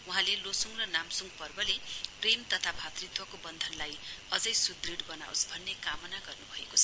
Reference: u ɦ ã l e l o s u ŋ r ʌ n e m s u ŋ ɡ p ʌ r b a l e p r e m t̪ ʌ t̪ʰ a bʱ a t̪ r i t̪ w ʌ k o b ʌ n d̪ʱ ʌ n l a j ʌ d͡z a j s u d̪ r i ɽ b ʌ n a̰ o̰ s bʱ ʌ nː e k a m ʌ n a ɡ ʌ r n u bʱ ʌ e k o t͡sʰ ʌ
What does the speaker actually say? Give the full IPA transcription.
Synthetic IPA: u ɦ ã l e l o s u ŋ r ʌ n a m s u ŋ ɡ p ʌ r b ʌ l e p r e m t̪ ʌ t̪ʰ a bʱ a t̪ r i t̪ w ʌ k o b ʌ n d̪ʱ ʌ n l a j ʌ d͡z ʌ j s u d̪ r i ɽ b ʌ n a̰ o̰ s bʱ ʌ nː e k a m ʌ n a ɡ ʌ r n u bʱ ʌ e k o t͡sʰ ʌ

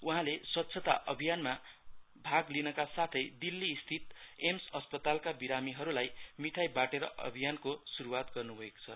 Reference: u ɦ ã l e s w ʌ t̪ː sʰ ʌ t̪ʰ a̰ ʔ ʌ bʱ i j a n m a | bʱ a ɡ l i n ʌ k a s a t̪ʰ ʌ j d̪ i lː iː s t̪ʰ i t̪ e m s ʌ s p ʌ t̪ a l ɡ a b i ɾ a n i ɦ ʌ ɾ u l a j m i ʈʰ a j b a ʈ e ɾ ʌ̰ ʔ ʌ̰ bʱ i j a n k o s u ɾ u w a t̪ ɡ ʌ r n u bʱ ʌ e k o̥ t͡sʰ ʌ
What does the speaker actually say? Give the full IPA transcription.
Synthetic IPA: u ɦ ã l e s w ʌ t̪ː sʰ ʌ t̪ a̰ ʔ ʌ bʱ i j a n m a | bʱ a ɡ l i n ʌ k a s a t̪ʰ ʌ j d̪ i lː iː s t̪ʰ i t̪ e m s ʌ s p ʌ t̪ a l k a b i ɾ a m i ɦ ʌ ɾ u l a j m i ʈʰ a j b a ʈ e ɾ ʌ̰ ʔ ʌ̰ bʱ i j a n k o s u ɾ u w a t̪ ɡ ʌ r n u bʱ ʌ e k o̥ t͡sʰ ʌ

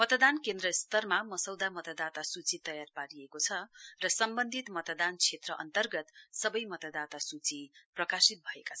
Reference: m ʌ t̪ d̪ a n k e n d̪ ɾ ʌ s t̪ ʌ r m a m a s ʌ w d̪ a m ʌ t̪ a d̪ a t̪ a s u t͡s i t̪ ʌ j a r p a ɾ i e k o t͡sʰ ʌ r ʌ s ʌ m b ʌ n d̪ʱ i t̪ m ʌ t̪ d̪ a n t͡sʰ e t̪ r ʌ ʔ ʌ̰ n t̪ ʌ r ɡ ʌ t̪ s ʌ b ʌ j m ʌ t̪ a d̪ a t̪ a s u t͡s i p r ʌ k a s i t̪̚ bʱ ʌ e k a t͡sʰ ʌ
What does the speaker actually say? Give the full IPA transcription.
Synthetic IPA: m ʌ t̪ d̪ a n k e n d̪ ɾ ʌ s t̪ ʌ r m a m ʌ s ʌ w d̪ a m ʌ t̪ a d̪ a t̪ a s u t͡s i t̪ ʌ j a r p a ɾ i e k o t͡sʰ ʌ r ʌ s ʌ m b ʌ n d̪ʱ i t̪ m ʌ t̪ d̪ a n t͡sʰ e t̪ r ʌ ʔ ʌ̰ n t̪ ʌ r ɡ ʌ t̪ s ʌ b ʌ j m ʌ t̪ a d̪ a t̪ a s u t͡s i p r ʌ k a s i t̪̚ bʱ ʌ e k a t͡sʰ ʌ

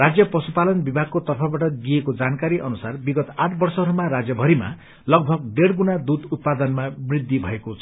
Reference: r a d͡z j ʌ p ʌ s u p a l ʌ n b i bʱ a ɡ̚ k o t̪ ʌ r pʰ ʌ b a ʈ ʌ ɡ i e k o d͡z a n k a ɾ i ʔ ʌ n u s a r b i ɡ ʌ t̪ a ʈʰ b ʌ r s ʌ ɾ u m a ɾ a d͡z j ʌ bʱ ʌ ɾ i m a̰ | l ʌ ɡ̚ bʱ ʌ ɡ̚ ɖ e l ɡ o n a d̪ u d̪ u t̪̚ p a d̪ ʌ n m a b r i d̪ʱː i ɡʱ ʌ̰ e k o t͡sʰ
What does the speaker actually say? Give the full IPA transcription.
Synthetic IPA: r a d͡z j ʌ p ʌ s u p a l ʌ n b i bʱ a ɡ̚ k o t̪ ʌ r pʰ ʌ b a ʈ ʌ ɡ i e k o d͡z a n k a ɾ i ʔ ʌ n u s a r b i ɡ ʌ t̪ a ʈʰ b ʌ r s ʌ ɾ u m a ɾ a d͡z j ʌ bʱ ʌ ɾ i m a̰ | l ʌ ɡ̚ bʱ ʌ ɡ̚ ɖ e ɽ ɡ u n a d̪ u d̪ u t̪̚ p a d̪ ʌ n m a b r i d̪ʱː i bʱ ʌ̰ e k o t͡sʰ

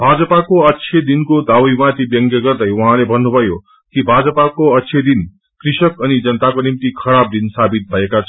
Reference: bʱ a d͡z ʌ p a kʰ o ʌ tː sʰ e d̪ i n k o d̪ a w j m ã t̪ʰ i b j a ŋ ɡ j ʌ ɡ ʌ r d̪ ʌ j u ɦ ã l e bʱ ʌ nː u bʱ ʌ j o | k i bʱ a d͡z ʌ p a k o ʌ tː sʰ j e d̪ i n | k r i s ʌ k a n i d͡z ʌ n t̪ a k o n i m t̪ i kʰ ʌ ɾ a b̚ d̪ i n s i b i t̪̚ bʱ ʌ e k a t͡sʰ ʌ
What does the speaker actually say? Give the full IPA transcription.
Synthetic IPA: bʱ a d͡z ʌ p a k o ʌ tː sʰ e d̪ i n k o d̪ a w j m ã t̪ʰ i b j ʌ ŋ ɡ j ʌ ɡ ʌ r d̪ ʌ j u ɦ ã l e bʱ ʌ nː u bʱ ʌ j o | k i bʱ a d͡z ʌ p a k o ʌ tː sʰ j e d̪ i n | k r i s ʌ k ʌ n i d͡z ʌ n t̪ a k o n i m t̪ i kʰ ʌ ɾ a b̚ d̪ i n s a b i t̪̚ bʱ ʌ e k a t͡sʰ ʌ

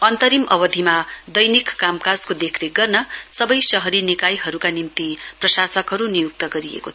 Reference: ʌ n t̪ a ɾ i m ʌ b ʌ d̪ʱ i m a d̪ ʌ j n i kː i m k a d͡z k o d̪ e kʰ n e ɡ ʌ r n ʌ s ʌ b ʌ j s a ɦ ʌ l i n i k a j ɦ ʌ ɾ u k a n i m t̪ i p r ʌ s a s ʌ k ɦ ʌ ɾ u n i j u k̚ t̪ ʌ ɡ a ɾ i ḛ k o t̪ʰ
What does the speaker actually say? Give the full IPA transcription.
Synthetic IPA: ʌ n t̪ ʌ ɾ i m ʌ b ʌ d̪ʱ i m a d̪ ʌ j n i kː a m k a d͡z k o d̪ e kʰ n e ɡ ʌ r n ʌ s ʌ b ʌ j s ʌ ɦ ʌ ɾ i n i k a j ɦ ʌ ɾ u k a n i m t̪ i p r ʌ s a s ʌ k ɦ ʌ ɾ u n i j u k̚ t̪ ʌ ɡ ʌ ɾ i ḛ k o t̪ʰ

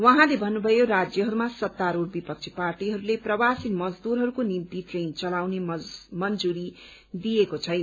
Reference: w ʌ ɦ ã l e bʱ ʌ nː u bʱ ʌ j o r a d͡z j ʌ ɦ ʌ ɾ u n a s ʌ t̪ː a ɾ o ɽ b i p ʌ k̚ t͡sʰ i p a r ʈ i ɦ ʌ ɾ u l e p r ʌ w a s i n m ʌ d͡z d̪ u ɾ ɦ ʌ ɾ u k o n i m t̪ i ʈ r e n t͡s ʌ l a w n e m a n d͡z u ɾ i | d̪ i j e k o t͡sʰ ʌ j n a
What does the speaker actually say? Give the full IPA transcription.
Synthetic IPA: w ʌ ɦ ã l e bʱ ʌ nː u bʱ ʌ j o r a d͡z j ʌ ɦ ʌ ɾ u m a s ʌ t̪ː a ɾ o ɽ b i p ʌ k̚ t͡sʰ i p a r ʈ i ɦ ʌ ɾ u l e p r ʌ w a s i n m ʌ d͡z d̪ u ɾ ɦ ʌ ɾ u k o n i m t̪ i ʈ r e n t͡s ʌ l a w n e m ʌ n d͡z u ɾ i | d̪ i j e k o t͡sʰ ʌ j n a

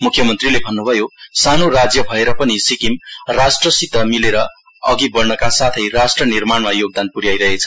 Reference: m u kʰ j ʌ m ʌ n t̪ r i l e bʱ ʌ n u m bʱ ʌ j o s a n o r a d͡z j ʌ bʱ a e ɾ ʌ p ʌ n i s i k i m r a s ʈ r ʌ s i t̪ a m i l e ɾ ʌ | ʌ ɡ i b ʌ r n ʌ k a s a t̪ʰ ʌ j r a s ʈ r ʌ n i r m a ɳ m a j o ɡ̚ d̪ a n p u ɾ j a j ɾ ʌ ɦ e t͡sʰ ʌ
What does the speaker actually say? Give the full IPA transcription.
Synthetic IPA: m u kʰ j ʌ m ʌ n t̪ r i l e bʱ ʌ nː u bʱ ʌ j o s a n o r a d͡z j ʌ bʱ ʌ e ɾ ʌ p ʌ n i s i k i m r a s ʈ r ʌ s i t̪ ʌ m i l e ɾ ʌ | ʌ ɡ i b ʌ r n ʌ k a s a t̪ʰ ʌ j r a s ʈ r ʌ n i r m a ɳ m a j o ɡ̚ d̪ a n p u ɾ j a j ɾ ʌ ɦ e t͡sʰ ʌ

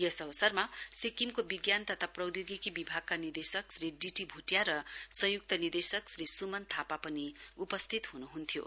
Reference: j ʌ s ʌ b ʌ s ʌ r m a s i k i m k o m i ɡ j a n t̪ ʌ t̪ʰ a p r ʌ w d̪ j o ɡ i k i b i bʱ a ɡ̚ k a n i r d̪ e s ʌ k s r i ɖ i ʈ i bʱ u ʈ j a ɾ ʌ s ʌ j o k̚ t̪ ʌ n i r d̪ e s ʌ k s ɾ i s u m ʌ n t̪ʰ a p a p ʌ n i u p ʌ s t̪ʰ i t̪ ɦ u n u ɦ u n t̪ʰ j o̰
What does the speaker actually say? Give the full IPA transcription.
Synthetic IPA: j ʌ s ʌ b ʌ s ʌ r m a s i k i m k o b i ɡ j a n t̪ ʌ t̪ʰ a p r ʌ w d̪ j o ɡ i k i b i bʱ a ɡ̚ k a n i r d̪ e s ʌ k s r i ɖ i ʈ i bʱ u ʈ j a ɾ ʌ s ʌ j u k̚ t̪ ʌ n i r d̪ e s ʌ k s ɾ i s u m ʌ n t̪ʰ a p a p ʌ n i u p ʌ s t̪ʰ i t̪ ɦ u n u ɦ u n t̪ʰ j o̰

